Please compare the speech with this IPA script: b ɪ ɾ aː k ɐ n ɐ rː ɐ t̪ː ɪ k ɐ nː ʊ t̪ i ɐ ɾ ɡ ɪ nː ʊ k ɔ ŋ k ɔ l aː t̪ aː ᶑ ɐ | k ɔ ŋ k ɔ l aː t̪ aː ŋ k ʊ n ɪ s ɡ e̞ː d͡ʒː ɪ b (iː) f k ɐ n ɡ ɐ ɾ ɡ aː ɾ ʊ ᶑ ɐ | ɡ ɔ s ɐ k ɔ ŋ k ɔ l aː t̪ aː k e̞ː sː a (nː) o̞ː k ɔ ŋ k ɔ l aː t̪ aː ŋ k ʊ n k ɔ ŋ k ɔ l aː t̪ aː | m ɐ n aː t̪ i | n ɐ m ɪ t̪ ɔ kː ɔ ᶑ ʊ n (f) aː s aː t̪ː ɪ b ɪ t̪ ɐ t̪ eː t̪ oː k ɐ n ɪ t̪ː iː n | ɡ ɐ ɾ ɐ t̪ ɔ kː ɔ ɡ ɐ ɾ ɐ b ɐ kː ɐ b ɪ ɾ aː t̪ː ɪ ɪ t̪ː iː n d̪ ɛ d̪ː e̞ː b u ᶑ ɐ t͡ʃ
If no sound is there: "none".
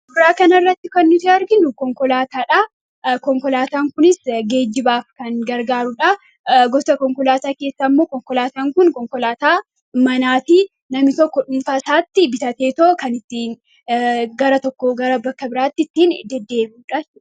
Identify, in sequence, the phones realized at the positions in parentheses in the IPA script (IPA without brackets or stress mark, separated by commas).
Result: aː, mː, f